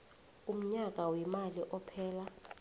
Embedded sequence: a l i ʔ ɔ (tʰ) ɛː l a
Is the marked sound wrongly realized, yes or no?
yes